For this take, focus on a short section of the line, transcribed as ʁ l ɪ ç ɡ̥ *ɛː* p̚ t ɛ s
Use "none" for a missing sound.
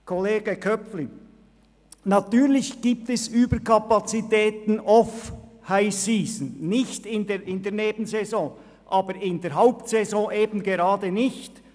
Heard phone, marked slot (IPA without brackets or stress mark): iː